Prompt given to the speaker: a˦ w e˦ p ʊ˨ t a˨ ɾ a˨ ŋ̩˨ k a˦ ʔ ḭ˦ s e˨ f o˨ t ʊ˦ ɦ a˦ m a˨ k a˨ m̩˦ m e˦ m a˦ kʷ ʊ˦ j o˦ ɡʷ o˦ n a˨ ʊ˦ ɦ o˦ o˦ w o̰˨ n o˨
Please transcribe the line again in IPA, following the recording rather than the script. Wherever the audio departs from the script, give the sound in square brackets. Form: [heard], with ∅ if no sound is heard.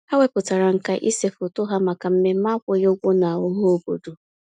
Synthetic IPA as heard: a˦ w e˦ p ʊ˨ t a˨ ɾ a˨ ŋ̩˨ k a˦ ʔ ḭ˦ s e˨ f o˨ t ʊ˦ ɦ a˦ m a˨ k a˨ m̩˦ m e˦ m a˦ kʷ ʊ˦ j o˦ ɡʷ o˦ n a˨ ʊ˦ ɦ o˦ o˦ [b] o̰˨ [d] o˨